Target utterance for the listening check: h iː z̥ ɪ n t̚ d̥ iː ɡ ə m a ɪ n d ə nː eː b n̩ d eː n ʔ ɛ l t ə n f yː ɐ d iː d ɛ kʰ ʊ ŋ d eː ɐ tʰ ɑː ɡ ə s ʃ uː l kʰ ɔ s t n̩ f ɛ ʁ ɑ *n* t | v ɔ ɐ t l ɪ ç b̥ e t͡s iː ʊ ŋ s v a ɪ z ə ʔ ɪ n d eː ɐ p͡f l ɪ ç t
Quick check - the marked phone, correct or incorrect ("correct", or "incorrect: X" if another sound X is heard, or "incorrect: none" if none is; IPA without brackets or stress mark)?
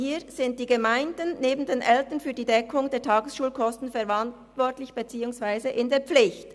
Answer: correct